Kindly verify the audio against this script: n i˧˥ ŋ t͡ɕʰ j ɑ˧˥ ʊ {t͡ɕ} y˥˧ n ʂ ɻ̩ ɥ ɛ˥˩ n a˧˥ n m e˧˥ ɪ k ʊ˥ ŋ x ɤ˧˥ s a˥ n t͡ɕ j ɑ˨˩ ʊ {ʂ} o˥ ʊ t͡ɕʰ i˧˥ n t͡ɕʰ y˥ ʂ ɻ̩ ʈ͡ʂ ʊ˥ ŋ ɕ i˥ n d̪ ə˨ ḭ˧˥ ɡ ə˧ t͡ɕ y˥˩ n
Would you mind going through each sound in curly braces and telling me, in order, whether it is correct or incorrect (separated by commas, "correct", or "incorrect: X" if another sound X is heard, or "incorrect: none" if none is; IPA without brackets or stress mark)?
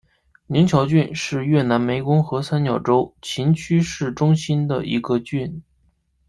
correct, incorrect: ʈ͡ʂ